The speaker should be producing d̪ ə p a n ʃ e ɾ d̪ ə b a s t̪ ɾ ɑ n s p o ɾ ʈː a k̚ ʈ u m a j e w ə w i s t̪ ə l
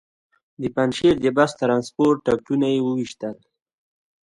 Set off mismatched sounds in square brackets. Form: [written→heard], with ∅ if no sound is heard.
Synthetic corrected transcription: d̪ ə p a n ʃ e ɾ d̪ ə b a s t̪ ɾ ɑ n s p o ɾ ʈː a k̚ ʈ u [m→n] a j e w ə w i [s→ʃ] t̪ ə l